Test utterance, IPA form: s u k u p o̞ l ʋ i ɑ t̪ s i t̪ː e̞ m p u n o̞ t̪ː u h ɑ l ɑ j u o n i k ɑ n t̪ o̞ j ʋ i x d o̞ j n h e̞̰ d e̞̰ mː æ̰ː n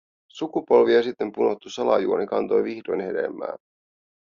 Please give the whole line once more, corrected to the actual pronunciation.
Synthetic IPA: s u k u p o̞ l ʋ i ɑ s i t̪ː e̞ m p u n o̞ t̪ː u s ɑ l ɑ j u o n i k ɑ n t̪ o̞ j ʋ i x d o̞ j n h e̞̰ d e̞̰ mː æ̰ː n